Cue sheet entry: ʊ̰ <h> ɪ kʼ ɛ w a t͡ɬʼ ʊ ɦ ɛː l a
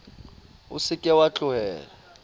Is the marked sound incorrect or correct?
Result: incorrect